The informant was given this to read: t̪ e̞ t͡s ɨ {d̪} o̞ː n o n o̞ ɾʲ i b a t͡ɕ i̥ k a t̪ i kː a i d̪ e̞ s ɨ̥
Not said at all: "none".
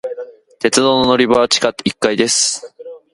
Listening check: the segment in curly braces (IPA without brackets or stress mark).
d̪